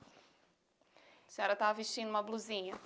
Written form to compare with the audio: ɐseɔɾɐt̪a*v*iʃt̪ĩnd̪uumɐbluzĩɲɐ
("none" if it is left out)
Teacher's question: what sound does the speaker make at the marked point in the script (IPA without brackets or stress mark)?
v